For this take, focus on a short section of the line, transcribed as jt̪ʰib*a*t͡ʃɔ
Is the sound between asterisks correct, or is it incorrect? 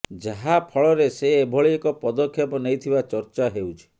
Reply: correct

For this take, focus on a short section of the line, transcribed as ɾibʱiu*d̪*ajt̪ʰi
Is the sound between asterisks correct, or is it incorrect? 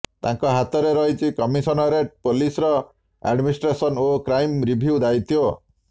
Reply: correct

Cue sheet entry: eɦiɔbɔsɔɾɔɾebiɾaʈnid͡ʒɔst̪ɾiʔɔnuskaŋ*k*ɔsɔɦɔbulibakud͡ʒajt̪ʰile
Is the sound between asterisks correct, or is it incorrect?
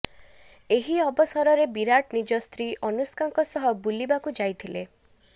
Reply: correct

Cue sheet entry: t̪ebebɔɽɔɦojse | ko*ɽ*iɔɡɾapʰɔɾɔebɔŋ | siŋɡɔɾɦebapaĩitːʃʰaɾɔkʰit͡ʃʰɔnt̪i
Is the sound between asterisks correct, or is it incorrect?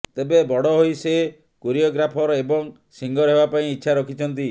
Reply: incorrect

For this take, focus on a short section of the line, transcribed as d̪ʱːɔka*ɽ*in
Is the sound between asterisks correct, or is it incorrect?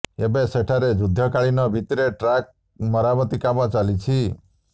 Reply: incorrect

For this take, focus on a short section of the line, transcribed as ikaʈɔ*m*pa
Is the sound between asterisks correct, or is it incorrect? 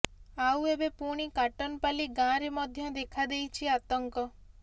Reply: incorrect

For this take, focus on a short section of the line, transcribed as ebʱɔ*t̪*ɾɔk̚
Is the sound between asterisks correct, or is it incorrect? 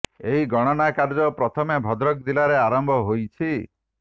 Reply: incorrect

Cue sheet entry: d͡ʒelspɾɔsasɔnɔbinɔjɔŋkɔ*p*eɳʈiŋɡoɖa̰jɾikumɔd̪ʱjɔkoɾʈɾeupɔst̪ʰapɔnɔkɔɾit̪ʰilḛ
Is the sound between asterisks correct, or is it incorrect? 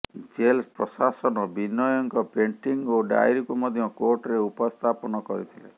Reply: correct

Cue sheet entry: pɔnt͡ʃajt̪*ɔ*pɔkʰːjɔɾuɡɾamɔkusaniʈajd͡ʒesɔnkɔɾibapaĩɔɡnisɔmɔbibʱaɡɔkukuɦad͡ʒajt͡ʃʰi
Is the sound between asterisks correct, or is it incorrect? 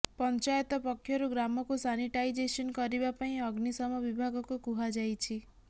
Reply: correct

